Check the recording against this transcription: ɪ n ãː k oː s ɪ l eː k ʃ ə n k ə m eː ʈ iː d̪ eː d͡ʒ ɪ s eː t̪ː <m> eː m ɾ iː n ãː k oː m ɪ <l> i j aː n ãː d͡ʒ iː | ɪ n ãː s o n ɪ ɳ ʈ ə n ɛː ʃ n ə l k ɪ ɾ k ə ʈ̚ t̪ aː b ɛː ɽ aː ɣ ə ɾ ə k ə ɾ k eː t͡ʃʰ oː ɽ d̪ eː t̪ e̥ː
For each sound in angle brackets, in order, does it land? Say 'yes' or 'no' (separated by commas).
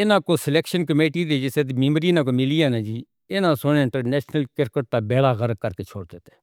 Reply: yes, yes